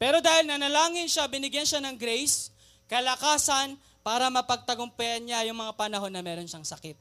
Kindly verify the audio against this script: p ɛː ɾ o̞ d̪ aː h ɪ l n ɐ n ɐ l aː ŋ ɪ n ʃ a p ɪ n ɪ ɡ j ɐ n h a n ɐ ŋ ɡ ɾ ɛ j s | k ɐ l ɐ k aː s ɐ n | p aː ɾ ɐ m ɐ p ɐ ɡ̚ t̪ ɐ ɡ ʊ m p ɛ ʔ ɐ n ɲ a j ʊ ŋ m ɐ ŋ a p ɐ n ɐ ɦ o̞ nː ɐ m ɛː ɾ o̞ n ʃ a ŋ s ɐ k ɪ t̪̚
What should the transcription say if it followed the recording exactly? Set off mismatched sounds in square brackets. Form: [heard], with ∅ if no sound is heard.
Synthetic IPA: p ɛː ɾ o̞ d̪ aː h ɪ l n ɐ n ɐ l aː ŋ ɪ n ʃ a [b] ɪ n ɪ ɡ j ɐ n [ʃ] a n ɐ ŋ ɡ ɾ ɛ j s | k ɐ l ɐ k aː s ɐ n | p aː ɾ ɐ m ɐ p ɐ ɡ̚ t̪ ɐ ɡ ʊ m p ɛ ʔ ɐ n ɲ a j ʊ ŋ m ɐ ŋ a p ɐ n ɐ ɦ o̞ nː ɐ m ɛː ɾ o̞ n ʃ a ŋ s ɐ k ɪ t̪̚